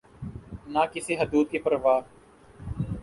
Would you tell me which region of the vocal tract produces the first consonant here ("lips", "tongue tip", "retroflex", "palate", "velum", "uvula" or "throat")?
tongue tip